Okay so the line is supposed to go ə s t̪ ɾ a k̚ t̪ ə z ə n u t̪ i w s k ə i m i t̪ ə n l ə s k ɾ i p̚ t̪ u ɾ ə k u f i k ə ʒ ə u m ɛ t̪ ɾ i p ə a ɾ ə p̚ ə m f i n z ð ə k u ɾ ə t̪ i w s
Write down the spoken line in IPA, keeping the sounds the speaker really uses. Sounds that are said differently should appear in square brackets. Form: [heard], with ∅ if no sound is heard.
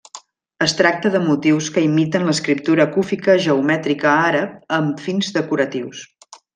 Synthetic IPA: ə s t̪ ɾ a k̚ t̪ ə [ð] ə [m] u t̪ i w s k ə i m i t̪ ə n l ə s k ɾ i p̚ t̪ u ɾ ə k u f i k ə ʒ ə u m ɛ t̪ ɾ i [k] ə a ɾ ə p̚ ə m f i n z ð ə k u ɾ ə t̪ i w s

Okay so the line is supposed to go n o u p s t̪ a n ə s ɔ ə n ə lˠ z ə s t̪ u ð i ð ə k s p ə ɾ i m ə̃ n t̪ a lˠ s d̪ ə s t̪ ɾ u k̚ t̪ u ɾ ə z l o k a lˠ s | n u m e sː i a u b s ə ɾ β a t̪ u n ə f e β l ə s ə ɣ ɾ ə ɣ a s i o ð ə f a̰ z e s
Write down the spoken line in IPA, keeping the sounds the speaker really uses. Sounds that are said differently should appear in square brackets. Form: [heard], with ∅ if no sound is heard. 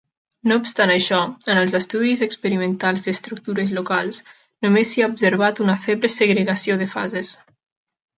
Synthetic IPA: n o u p s t̪ a n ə [ʃ] ɔ ə n ə lˠ z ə s t̪ u ð i [z] ə k s p ə ɾ i m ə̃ n t̪ a lˠ [z] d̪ ə s t̪ ɾ u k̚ t̪ u ɾ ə z l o k a lˠ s | n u m e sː i a u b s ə ɾ β a t̪ u n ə f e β l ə s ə ɣ ɾ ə ɣ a s i o ð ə f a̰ z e s

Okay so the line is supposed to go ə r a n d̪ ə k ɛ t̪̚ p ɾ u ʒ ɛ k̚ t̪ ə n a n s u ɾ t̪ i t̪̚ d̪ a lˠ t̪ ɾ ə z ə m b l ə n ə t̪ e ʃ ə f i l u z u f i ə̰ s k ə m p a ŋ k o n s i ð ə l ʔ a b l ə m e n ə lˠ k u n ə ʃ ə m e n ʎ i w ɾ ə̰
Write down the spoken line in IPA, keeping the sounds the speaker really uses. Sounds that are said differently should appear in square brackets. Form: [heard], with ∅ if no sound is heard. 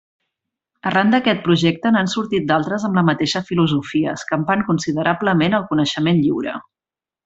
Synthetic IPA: ə r a n d̪ ə k ɛ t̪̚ p ɾ u ʒ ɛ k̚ t̪ ə n a n s u ɾ t̪ i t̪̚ d̪ a lˠ t̪ ɾ ə z ə m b l ə [m] ə t̪ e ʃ ə f i l u z u f i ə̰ s k ə m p a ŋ k [u] n s i ð ə [ɾ] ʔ a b l ə m e n ə lˠ k u n ə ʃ ə m e n ʎ i w ɾ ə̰

